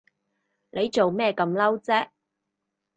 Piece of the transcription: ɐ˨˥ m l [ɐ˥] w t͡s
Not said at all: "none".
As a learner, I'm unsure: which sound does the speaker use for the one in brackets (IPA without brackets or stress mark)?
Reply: ɐ˥